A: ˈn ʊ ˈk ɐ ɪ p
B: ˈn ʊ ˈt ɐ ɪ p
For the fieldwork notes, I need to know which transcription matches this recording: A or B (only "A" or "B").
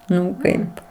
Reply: A